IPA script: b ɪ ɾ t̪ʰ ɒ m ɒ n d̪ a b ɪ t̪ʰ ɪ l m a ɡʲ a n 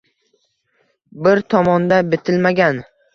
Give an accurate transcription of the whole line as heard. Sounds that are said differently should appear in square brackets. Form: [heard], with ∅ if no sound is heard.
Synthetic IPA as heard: b ɪ ɾ t̪ʰ ɒ m ɒ n d̪ a b ɪ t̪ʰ ɪ l m a ɡʲ a n

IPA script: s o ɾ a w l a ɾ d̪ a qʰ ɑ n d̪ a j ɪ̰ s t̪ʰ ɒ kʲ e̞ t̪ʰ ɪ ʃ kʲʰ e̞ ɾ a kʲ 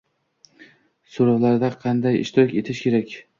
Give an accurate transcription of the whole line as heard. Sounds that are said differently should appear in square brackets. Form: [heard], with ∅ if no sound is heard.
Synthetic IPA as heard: s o ɾ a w l a ɾ d̪ a qʰ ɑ n d̪ a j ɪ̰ [ʃ] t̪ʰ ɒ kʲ e̞ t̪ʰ ɪ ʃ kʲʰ e̞ ɾ a kʲ

